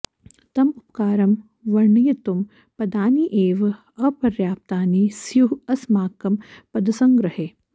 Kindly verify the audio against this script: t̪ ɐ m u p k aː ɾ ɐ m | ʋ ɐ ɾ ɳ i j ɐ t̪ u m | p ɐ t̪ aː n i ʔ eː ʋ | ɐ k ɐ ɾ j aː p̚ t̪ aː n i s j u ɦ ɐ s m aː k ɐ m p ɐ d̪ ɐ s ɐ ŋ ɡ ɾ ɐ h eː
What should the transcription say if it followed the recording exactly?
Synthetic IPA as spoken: t̪ ɐ m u p k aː ɾ ɐ m | ʋ ɐ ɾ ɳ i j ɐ t̪ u m | p ɐ d̪ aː n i ʔ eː ʋ | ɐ p ɐ ɾ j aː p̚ t̪ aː n i s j u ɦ ɐ s m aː k ɐ m p ɐ d̪ ɐ s ɐ ŋ ɡ ɾ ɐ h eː